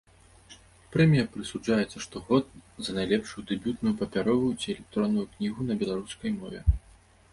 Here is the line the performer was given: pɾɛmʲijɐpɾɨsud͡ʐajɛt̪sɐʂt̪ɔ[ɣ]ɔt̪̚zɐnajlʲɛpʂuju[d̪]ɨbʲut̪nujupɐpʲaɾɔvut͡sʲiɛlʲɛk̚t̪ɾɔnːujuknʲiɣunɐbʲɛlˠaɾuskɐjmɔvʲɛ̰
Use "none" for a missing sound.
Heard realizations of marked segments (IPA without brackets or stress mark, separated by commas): ɣ, d̪